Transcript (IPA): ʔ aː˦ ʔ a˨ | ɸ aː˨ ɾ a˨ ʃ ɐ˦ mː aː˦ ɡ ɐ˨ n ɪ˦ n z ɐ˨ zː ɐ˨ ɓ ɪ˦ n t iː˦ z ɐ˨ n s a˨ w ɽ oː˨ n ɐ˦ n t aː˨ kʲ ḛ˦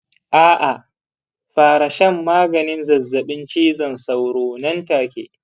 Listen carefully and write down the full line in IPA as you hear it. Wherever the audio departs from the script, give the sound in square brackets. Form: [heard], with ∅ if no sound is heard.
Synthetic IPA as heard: ʔ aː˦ ʔ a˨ | ɸ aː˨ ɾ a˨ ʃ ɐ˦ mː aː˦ ɡ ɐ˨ n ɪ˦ n z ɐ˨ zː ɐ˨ ɓ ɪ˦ n [t͡ʃ] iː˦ z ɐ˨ n s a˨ w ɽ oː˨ n ɐ˦ n t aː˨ kʲ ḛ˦